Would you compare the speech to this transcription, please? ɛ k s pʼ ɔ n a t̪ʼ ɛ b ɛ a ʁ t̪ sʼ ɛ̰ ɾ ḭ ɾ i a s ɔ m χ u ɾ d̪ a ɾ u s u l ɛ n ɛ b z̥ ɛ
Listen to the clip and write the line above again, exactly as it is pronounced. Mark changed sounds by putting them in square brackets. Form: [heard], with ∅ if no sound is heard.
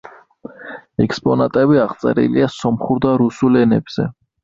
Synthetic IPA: ɛ k s pʼ ɔ n a t̪ʼ ɛ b [i] a ʁ t̪ sʼ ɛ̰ ɾ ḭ [l] i a s ɔ m χ u ɾ d̪ a ɾ u s u l ɛ n ɛ b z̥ ɛ